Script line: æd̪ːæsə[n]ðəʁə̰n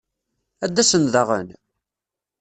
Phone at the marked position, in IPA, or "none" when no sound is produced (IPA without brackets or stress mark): n